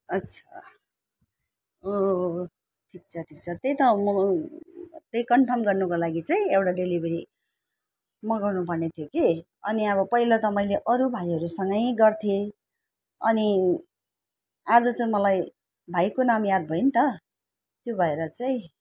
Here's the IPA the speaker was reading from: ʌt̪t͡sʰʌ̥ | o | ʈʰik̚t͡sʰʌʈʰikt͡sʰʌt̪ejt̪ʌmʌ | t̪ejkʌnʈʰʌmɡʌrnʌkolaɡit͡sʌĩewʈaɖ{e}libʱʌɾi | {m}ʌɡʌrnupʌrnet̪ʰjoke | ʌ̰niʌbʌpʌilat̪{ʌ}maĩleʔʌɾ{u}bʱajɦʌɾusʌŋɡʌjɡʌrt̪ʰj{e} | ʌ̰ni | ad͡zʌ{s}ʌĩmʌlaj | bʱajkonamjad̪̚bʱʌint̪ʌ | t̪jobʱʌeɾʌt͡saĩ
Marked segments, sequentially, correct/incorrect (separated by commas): correct, correct, correct, correct, correct, incorrect